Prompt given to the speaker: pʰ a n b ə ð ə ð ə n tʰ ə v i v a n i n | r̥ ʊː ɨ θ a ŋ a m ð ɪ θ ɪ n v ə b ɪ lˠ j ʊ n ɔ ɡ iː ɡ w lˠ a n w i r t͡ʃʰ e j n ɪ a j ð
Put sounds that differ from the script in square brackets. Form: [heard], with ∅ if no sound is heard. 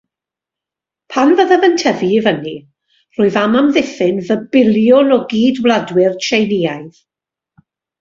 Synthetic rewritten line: pʰ a n [v] ə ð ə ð ə n tʰ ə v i v [ə] n i [∅] | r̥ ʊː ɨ [ð] a [m] a m ð ɪ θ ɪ n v ə b ɪ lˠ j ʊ n ɔ ɡ iː [d] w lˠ a [d] w [ɪ] r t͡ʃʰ e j n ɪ a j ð